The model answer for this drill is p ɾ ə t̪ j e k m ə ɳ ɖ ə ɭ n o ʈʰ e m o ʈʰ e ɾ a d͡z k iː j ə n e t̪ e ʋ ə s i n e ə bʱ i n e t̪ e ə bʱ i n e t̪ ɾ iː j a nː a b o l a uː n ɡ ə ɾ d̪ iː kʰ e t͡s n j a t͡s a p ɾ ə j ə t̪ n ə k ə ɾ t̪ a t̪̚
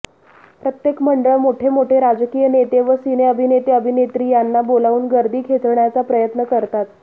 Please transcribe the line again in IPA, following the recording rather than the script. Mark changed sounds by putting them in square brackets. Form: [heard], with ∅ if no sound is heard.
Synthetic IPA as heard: p ɾ ə t̪ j e k m ə ɳ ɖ ə ɭ [m] o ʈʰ e m o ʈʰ e ɾ a d͡z k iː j ə n e t̪ e ʋ ə s i n e ə bʱ i n e t̪ e ə bʱ i n e t̪ ɾ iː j a nː a b o l a uː n ɡ ə ɾ d̪ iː kʰ e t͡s [ɳ] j a t͡s a p ɾ ə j ə t̪ n ə k ə ɾ t̪ a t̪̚